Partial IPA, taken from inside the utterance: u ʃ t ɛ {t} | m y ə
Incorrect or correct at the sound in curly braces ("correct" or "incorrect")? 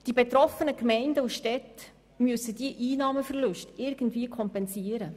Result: correct